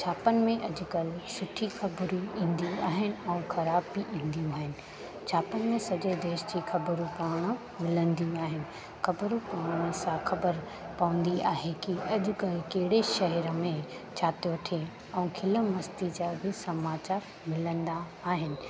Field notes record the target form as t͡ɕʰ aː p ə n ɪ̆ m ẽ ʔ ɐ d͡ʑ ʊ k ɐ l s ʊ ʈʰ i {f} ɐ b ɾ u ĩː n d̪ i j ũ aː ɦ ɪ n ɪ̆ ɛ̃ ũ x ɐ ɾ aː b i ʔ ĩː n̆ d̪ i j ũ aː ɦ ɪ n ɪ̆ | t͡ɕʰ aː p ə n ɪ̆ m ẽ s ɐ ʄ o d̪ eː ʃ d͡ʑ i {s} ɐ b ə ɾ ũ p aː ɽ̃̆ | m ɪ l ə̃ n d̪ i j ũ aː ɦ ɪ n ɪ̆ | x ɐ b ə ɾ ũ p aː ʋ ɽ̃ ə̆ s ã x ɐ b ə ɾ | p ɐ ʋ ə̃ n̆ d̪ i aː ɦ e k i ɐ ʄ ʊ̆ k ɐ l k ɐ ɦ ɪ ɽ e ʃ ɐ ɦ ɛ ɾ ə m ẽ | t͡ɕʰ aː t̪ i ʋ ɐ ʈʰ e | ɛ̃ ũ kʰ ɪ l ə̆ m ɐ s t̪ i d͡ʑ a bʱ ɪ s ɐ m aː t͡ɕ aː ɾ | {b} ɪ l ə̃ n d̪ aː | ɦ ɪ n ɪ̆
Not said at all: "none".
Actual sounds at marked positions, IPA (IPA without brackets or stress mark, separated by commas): x, x, m